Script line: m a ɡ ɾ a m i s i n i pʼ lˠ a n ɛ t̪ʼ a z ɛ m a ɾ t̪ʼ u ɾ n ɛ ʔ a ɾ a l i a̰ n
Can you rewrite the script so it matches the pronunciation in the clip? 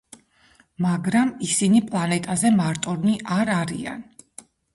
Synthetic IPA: m a ɡ ɾ a m i s i n i pʼ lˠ a n ɛ t̪ʼ a z ɛ m a ɾ t̪ʼ ɔ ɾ n i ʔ a ɾ a ɾ i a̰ n

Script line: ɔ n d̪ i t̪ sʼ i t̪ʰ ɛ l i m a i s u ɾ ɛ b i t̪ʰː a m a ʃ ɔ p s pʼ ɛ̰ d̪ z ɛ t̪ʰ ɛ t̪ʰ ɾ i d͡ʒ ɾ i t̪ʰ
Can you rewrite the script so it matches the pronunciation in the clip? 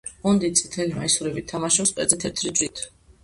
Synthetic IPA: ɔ n d̪ i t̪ sʼ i t̪ʰ ɛ l i m a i s u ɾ ɛ b i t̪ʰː a m a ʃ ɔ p s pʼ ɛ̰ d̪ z ɛ t̪ʰ ɛ t̪ʰ ɾ i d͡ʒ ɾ i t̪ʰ

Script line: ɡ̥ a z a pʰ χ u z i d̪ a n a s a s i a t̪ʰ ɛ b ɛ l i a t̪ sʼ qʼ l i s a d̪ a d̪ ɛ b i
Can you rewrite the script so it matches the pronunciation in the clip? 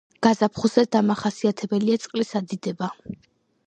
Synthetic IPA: ɡ̥ a z a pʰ χ u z ɛ d̪ a m a χ a s i a t̪ʰ ɛ b ɛ l i a t̪ sʼ qʼ l i s a d̪ i d̪ ɛ b a

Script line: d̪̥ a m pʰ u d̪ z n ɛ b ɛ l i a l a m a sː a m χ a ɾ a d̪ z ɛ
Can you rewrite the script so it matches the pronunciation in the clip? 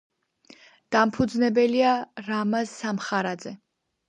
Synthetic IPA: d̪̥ a m pʰ u d̪ z n ɛ b ɛ l i a ɾ a m a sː a m χ a ɾ a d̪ z ɛ

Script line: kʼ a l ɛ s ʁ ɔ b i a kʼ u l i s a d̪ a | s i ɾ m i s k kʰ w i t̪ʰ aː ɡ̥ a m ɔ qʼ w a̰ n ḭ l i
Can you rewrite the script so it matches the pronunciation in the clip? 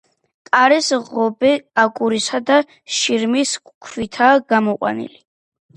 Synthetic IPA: kʼ a ɾ ɛ s ʁ ɔ b ɛ a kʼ u ɾ i s a d̪ a | ʃ i ɾ m i s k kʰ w i t̪ʰ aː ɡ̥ a m ɔ qʼ w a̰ n ḭ l i

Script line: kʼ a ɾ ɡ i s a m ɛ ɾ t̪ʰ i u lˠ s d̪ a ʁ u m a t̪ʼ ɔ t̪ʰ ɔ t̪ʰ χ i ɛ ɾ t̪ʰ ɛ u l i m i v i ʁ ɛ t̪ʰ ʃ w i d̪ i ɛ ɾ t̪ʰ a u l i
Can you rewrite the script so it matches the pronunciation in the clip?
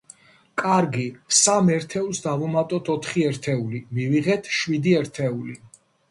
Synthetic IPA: kʼ a ɾ ɡ i s a m ɛ ɾ t̪ʰ ɛ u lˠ s d̪ a v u m a t̪ʼ ɔ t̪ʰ ɔ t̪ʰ χ i ɛ ɾ t̪ʰ ɛ u l i m i v i ʁ ɛ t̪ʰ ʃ w i d̪ i ɛ ɾ t̪ʰ ɛ u l i

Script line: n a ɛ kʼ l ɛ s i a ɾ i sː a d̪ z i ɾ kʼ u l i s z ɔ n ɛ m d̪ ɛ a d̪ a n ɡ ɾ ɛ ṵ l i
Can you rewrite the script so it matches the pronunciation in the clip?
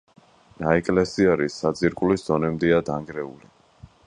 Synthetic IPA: n a ɛ kʼ l ɛ s i a ɾ i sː a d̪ z i ɾ kʼ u l i s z ɔ n ɛ m d̪ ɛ a d̪ a ŋ ɡ ɾ ɛ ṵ l i

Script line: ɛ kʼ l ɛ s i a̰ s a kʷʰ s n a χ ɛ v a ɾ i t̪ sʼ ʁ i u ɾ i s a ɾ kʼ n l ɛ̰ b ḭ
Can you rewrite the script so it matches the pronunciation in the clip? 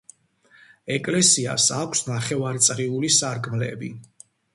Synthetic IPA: ɛ kʼ l ɛ s i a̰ s a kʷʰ s n a χ ɛ v a ɾ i t̪ sʼ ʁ i u l i s a ɾ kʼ m l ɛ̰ b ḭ

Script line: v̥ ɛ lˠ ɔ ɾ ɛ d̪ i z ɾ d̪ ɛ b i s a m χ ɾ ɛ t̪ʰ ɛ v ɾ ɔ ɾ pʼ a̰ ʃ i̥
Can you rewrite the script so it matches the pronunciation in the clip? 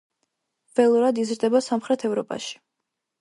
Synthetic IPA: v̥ ɛ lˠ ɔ ɾ a d̪ i z ɾ d̪ ɛ b a s a m χ ɾ ɛ t̪ʰ ɛ v ɾ ɔ pʼ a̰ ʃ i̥

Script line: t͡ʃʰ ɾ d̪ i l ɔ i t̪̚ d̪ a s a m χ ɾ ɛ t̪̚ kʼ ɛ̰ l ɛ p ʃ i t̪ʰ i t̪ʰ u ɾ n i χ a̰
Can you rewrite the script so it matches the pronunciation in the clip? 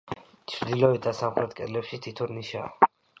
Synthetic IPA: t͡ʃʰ ɾ d̪ i l ɔ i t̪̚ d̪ a s a m χ ɾ ɛ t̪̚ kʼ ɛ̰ l ɛ p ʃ i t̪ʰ i t̪ʰ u ɾ n i ʃ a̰

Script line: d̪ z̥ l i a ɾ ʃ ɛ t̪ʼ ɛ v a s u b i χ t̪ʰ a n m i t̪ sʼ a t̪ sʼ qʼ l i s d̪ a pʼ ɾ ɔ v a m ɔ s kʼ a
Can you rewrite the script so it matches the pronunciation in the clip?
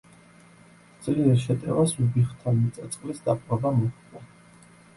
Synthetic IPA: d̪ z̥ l i ɛ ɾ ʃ ɛ t̪ʼ ɛ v a s u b i χ t̪ʰ a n m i t̪ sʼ a t̪ sʼ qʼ l i s d̪ a pʼ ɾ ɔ b a m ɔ χ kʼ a

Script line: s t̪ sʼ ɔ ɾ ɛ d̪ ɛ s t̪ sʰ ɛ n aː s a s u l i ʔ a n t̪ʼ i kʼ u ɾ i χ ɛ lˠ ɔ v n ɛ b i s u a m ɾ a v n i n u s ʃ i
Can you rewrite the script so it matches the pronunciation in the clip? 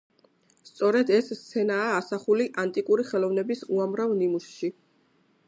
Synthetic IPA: s t̪ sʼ ɔ ɾ ɛ d̪ ɛ s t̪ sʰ ɛ n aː s a χ u l i ʔ a n t̪ʼ i kʼ u ɾ i χ ɛ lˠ ɔ v n ɛ b i s u a m ɾ a v n i m u s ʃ i

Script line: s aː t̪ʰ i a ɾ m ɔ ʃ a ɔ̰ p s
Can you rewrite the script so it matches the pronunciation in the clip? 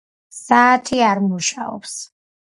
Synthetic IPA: s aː t̪ʰ i a ɾ m u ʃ a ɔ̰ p s

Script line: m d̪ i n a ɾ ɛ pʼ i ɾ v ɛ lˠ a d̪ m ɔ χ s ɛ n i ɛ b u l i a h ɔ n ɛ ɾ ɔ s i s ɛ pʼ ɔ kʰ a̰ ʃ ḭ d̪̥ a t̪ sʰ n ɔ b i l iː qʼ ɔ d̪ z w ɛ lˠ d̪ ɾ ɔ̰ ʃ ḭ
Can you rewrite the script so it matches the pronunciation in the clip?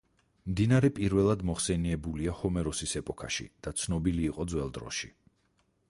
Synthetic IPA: m d̪ i n a ɾ ɛ pʼ i ɾ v ɛ lˠ a d̪ m ɔ χ s ɛ n i ɛ b u l i a h ɔ m ɛ ɾ ɔ s i s ɛ pʼ ɔ kʰ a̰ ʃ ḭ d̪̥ a t̪ sʰ n ɔ b i l iː qʼ ɔ d̪ z w ɛ lˠ d̪ ɾ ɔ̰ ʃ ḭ

